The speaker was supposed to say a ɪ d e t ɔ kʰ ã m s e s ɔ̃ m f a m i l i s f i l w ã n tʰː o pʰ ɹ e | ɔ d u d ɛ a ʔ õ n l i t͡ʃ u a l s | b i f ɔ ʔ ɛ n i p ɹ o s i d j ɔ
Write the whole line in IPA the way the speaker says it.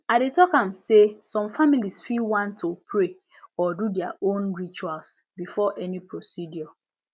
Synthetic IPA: a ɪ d e t ɔ k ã m s e s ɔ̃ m f a m i l i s f i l w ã n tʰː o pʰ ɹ e | ɔ d u d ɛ a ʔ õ n ɹ i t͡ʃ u a l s | b i f ɔ ʔ ɛ n i p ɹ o s i d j ɔ